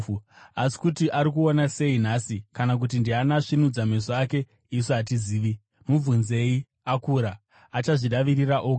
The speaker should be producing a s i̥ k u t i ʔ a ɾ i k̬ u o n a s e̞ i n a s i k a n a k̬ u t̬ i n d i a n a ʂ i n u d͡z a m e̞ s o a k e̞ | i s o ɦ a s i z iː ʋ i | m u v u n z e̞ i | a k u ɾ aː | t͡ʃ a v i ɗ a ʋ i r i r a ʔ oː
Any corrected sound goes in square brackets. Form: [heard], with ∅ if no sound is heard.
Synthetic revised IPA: a s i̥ k u t i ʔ a ɾ i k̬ u o n a s e̞ i n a s i k a n a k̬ u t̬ i n d i a n a ʂ i n u d͡z a m e̞ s o a k e̞ | i s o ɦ a [t] i z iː ʋ i | m u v u n z e̞ i | a k u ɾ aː | t͡ʃ a [ʐ] i ɗ a ʋ i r i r a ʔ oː